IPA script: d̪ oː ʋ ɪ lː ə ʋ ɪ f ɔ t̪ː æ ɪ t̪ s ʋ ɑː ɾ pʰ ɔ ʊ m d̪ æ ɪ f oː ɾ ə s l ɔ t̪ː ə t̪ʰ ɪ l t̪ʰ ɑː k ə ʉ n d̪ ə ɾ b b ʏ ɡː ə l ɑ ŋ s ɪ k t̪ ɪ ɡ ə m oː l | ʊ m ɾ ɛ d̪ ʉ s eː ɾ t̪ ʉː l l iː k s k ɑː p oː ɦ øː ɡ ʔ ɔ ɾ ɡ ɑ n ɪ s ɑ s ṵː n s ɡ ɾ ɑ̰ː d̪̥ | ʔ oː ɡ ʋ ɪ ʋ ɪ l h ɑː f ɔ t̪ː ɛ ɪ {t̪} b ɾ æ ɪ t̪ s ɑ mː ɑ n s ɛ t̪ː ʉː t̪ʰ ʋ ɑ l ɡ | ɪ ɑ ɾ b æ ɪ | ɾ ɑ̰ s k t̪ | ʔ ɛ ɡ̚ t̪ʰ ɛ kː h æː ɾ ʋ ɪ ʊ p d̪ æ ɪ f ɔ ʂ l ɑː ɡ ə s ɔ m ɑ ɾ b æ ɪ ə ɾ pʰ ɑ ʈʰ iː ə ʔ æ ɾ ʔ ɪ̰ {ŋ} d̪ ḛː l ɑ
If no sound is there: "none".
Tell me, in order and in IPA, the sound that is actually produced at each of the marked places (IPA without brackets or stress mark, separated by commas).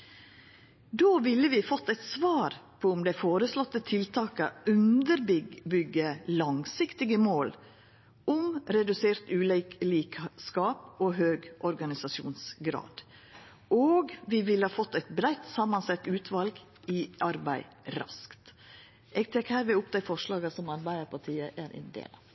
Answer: t̪, n